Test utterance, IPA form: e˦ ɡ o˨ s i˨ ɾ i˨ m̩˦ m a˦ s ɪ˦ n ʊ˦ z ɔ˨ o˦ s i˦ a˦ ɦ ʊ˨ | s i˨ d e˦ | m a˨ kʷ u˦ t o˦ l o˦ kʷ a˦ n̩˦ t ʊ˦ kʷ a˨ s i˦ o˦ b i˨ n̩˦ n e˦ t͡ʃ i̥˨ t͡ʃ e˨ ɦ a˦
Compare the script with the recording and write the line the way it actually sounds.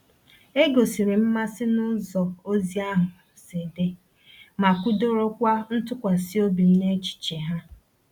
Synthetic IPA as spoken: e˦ ɡ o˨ s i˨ ɾ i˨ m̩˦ m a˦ s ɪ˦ n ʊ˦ z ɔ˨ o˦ z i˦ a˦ ɦ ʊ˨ | s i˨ d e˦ | m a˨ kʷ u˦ d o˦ ɾ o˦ kʷ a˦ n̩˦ t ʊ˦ kʷ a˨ s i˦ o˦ b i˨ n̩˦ n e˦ t͡ʃ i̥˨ t͡ʃ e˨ ɦ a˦

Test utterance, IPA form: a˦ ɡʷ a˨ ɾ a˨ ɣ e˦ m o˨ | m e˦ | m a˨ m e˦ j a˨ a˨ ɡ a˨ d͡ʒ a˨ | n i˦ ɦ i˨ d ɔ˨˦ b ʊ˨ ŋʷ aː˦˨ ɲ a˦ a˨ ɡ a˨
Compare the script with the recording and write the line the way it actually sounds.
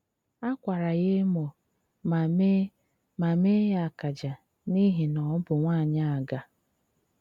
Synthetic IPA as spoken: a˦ kʷ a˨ ɾ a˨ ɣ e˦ m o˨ | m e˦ | m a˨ m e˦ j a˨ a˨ k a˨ d͡ʒ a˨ | n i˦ ɦ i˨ n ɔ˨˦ b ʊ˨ ŋʷ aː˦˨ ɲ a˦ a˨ ɡ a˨

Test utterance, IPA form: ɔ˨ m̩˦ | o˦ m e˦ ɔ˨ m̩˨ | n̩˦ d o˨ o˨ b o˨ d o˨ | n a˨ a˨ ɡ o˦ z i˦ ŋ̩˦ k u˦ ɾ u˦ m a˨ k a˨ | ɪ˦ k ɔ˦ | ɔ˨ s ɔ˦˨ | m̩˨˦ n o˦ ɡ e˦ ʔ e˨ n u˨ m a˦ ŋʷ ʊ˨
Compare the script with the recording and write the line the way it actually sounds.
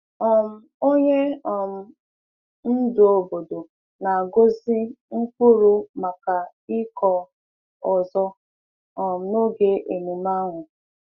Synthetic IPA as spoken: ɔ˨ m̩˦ | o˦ ɲ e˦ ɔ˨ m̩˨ | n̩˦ d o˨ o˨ b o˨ d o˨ | n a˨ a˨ ɡ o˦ z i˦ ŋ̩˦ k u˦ ɾ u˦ m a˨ k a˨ | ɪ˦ k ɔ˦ | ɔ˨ z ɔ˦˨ | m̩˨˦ n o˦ ɡ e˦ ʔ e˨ n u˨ m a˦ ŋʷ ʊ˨

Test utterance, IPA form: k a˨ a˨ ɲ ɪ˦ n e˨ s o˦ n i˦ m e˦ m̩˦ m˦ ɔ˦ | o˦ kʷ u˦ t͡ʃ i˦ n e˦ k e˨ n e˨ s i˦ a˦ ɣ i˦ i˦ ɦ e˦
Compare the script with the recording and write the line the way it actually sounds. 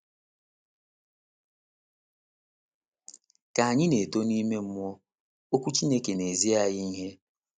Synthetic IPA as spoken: k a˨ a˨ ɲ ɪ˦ n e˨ t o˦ n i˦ m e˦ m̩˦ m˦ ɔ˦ | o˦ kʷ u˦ t͡ʃ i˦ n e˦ k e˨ n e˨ z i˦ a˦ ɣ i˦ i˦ ɦ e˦

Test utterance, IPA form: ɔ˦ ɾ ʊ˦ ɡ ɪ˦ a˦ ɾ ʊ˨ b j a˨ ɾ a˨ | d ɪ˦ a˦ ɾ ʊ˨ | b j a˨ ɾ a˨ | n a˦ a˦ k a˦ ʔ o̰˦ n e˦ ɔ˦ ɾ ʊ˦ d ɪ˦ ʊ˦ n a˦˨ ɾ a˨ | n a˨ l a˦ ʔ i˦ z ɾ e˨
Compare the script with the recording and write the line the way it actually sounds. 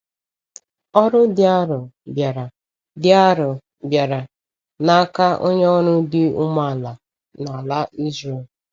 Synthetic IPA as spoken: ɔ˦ ɾ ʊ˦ d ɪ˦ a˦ ɾ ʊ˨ b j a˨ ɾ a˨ | d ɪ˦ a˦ ɾ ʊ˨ | b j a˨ ɾ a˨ | n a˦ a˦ k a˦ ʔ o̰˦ ɲ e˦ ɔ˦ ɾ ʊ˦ d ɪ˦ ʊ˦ m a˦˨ l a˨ | n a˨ l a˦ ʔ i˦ z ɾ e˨

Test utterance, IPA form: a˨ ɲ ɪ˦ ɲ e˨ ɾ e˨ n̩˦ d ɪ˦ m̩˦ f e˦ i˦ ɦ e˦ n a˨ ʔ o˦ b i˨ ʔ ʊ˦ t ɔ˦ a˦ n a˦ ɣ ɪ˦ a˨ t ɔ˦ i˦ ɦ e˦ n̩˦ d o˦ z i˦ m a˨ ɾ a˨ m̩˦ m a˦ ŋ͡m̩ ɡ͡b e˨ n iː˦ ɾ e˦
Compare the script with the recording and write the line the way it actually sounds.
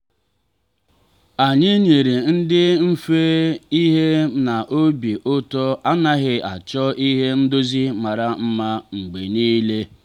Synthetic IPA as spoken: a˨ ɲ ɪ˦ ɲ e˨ ɾ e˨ n̩˦ d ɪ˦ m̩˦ f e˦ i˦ ɦ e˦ n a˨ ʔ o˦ b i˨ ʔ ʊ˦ t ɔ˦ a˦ n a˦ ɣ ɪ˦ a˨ t͡ʃ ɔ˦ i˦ ɦ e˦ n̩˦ d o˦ z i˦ m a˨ ɾ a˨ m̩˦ m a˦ ŋ͡m̩ ɡ͡b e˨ n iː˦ l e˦

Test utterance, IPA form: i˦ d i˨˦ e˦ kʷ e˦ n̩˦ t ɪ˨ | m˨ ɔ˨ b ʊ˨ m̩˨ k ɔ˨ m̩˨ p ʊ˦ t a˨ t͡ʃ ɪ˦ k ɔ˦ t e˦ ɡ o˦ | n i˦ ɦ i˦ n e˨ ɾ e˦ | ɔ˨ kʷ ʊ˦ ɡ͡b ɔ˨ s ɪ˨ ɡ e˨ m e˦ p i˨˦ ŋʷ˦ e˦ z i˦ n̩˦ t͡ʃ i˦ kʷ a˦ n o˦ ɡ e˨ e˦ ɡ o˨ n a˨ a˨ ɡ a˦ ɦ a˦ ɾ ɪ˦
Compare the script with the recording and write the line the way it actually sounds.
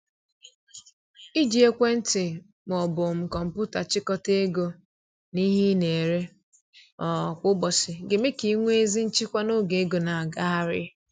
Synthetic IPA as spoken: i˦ d͡ʒ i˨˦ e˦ kʷ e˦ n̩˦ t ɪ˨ | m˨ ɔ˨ b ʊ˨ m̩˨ k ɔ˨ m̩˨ p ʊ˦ t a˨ t͡ʃ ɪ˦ k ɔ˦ t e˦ ɡ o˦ | n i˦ ɦ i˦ n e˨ ɾ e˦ | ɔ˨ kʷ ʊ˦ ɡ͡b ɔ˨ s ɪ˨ ɡ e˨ m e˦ k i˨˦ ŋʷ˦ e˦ z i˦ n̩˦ t͡ʃ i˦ kʷ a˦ n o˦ ɡ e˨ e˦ ɡ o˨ n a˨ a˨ ɡ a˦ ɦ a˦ ɾ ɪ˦

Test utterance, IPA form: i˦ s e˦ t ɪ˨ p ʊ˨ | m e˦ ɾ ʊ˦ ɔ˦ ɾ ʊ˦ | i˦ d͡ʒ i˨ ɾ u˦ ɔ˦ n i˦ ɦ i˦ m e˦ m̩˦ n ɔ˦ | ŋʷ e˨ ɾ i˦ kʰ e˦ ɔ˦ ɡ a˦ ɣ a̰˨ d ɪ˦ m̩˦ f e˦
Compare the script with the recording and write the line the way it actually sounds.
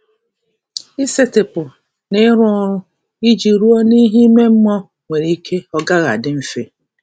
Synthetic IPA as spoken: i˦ s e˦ t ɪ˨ p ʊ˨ | n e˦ ɾ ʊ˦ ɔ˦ ɾ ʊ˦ | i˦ d͡ʒ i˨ ɾ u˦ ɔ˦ n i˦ ɦ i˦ m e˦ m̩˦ m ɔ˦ | ŋʷ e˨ ɾ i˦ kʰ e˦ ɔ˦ ɡ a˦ ɣ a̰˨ d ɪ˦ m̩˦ f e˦

